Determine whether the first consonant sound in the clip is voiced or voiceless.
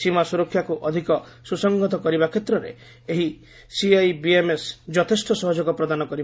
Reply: voiceless